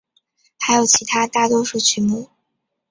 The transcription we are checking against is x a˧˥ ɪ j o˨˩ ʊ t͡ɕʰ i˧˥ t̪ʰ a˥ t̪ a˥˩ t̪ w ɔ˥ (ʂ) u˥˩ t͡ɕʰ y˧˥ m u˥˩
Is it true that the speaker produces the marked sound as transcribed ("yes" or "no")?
yes